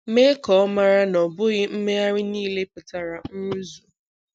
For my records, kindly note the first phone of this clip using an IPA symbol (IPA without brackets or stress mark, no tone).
m